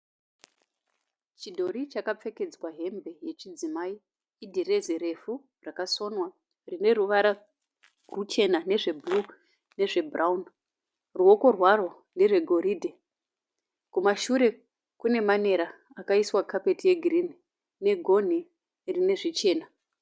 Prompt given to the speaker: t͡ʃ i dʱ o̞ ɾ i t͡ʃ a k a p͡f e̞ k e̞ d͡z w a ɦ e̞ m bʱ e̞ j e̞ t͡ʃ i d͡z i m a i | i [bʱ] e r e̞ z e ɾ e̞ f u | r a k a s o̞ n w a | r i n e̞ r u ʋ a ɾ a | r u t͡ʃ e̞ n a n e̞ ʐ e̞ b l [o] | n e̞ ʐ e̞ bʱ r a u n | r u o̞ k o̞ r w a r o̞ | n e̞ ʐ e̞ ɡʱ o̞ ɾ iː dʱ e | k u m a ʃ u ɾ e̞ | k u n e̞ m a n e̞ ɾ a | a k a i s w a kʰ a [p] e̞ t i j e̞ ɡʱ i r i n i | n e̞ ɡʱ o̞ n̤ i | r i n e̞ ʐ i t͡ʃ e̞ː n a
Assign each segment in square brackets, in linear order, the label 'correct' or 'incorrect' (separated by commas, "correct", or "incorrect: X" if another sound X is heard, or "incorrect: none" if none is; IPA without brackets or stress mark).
incorrect: dʱ, incorrect: u, correct